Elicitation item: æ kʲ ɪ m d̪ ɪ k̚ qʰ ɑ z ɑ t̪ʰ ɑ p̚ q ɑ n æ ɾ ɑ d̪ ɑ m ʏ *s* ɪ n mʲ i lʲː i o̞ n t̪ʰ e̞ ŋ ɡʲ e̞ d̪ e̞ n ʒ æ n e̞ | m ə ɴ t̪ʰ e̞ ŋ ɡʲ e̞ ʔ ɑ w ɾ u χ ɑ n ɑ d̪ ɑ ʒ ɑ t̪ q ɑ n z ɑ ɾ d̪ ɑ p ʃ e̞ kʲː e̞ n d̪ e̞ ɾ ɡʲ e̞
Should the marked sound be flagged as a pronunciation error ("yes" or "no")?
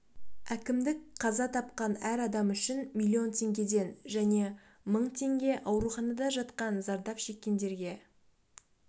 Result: yes